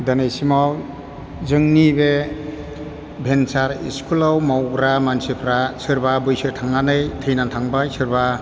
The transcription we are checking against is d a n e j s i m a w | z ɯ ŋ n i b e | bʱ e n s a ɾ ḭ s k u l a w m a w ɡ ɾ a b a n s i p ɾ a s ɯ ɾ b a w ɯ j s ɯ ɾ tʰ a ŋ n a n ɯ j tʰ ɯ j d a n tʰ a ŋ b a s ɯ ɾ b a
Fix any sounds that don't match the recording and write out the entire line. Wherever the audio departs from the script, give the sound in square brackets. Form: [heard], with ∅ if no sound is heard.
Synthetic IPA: d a n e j s i m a w | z ɯ ŋ n i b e | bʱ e n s a ɾ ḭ s k u l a w m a w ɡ ɾ a [m] a n s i [pʰ] ɾ a s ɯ ɾ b a [b] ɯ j s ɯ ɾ tʰ a ŋ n a n ɯ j tʰ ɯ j [n] a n tʰ a ŋ b a s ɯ ɾ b a

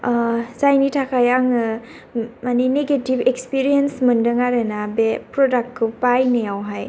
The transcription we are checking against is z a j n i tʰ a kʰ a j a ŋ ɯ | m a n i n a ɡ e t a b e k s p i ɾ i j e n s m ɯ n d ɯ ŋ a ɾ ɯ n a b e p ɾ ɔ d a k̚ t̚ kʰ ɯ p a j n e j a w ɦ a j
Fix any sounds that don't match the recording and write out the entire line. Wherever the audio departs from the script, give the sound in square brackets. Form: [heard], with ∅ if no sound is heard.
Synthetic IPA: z a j n i tʰ a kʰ a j a ŋ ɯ | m a n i n [e] ɡ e t [i] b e k s p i ɾ i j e n s m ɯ n d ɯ ŋ a ɾ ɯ n a b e p ɾ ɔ d a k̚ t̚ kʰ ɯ p a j n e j a w ɦ a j

